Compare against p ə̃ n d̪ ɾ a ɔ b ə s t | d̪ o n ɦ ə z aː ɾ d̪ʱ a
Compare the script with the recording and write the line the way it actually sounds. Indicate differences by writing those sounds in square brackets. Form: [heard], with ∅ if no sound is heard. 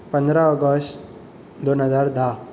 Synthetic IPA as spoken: p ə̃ n d̪ ɾ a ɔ [ɡ] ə s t | d̪ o n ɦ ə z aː ɾ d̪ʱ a